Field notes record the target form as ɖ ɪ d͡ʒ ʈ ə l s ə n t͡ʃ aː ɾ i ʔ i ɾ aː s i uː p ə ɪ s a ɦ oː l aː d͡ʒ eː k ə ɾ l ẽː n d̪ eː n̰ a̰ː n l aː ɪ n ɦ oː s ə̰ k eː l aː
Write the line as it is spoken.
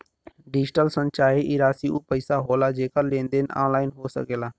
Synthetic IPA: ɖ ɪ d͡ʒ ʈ ə l s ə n t͡ʃ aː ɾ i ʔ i ɾ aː s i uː p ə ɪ s a ɦ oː l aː d͡ʒ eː k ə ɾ l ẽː n d̪ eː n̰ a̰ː n l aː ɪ n ɦ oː s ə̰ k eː l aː

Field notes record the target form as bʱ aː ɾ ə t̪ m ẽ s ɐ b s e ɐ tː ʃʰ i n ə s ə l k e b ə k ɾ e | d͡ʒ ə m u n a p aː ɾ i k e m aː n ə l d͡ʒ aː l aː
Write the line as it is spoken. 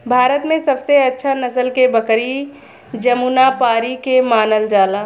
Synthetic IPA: bʱ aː ɾ ə t̪ m ẽ s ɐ b s e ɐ tː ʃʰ a n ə s ə l k e b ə k ɾ i | d͡ʒ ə m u n a p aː ɾ i k e m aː n ə l d͡ʒ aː l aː

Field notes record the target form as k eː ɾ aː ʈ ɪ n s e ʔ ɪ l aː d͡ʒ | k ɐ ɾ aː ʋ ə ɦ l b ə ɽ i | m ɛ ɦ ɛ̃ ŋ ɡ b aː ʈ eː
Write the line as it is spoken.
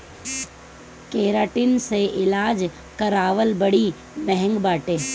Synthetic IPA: k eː ɾ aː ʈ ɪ n s e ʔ ɪ l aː d͡ʒ | k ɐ ɾ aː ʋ ə l b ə ɽ i | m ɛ ɦ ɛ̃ ŋ ɡ b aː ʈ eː

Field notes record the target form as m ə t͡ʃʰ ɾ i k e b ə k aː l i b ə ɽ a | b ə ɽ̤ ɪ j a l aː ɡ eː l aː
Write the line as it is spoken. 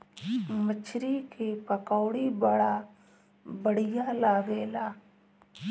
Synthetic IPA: m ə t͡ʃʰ ɾ i k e p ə k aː ɽ i b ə ɽ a | b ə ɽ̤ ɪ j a l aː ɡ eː l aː

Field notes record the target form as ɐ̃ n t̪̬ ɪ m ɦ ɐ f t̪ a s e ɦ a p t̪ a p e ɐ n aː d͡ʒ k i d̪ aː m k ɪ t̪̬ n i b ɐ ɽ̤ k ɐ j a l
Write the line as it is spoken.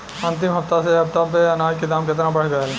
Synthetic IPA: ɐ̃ n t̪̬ ɪ m ɦ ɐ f t̪ a s e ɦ ɐ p t̪ a p e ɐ n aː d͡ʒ k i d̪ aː m k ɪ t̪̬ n a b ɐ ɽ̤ ɡ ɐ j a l

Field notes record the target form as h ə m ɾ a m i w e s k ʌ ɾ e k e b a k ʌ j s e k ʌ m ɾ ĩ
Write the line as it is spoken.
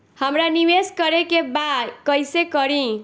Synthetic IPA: h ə m ɾ a n i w e s k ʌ ɾ e k e b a k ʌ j s e k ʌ ɾ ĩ

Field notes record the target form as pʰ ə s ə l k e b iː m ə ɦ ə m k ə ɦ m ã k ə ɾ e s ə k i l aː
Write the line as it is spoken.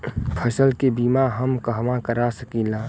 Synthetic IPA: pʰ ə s ə l k e b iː m a ɦ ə m k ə ɦ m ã k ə ɾ a s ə k i l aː

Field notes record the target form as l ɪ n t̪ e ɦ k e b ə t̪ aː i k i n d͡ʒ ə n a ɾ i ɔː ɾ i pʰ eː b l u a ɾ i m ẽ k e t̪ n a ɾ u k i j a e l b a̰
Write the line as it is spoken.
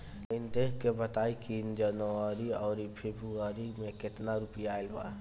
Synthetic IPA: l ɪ n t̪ e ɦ k e b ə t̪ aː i k i n d͡ʒ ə n a ɾ i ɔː ɾ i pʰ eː b ɾ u a ɾ i m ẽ k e t̪ n a ɾ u p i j a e l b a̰

